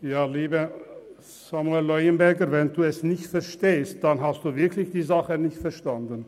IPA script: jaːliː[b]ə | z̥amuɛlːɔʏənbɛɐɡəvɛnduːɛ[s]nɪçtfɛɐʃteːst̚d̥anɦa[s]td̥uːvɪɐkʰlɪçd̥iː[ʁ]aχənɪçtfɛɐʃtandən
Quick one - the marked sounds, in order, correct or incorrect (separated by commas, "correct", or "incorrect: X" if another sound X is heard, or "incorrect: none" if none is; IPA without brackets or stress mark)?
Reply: correct, correct, correct, incorrect: z